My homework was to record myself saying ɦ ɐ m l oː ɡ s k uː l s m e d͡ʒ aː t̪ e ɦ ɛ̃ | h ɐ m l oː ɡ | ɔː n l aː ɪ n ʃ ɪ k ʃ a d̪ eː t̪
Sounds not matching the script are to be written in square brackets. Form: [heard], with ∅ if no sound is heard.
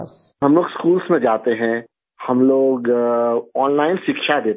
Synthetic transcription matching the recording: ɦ ɐ m l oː ɡ s k uː l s m [ẽ] d͡ʒ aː t̪ e ɦ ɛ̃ | h ɐ m l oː ɡ | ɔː n l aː ɪ n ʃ ɪ k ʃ a d̪ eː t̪